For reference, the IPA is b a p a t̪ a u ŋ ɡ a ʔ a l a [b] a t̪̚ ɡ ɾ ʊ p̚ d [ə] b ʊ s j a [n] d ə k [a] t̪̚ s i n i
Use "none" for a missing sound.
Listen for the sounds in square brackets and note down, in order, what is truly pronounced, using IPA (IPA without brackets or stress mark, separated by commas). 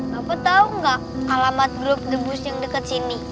m, ə, ŋ, ə